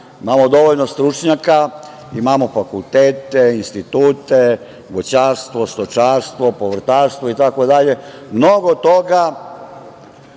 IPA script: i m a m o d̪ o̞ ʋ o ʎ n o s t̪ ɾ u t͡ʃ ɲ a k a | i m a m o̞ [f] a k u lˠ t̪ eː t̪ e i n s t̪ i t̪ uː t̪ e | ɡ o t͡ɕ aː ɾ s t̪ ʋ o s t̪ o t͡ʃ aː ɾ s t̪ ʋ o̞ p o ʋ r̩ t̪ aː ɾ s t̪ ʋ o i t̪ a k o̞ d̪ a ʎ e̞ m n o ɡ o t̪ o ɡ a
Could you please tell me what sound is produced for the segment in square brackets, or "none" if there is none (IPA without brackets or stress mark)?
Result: f